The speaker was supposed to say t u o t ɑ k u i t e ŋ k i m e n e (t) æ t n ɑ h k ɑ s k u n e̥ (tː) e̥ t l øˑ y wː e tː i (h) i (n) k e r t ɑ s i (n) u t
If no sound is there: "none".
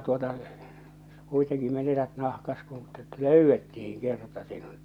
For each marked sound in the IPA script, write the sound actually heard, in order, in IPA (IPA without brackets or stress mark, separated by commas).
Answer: t, tː, h, ŋ, n